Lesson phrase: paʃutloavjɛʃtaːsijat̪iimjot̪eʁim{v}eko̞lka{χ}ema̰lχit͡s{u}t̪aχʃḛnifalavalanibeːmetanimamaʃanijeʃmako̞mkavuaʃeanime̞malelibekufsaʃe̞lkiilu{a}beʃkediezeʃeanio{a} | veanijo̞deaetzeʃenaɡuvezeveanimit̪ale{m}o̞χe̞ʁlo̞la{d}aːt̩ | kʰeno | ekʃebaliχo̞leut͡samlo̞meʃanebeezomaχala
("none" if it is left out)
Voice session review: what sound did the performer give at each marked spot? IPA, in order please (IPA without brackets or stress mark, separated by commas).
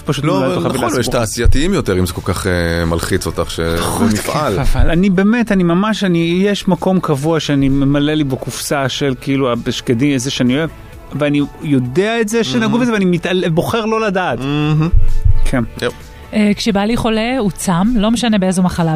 z, χ, o, a, e, b, d